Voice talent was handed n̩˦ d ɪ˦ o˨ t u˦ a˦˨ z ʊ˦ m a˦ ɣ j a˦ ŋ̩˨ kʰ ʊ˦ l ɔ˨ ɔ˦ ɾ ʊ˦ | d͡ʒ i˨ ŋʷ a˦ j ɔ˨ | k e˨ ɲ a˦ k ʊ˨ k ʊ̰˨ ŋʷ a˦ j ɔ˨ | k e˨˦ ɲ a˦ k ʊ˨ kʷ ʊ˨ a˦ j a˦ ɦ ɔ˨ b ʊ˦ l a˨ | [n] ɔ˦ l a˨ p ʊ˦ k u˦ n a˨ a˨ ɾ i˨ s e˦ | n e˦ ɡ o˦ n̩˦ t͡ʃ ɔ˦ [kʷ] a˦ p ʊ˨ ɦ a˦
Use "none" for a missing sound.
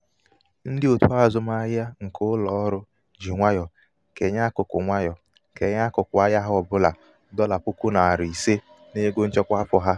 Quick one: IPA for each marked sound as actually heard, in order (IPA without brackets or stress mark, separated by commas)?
d, kʷ